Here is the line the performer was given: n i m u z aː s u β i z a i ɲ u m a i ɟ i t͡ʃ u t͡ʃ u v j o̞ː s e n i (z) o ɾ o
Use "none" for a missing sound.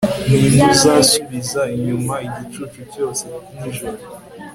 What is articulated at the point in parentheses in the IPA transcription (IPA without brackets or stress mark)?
ʒ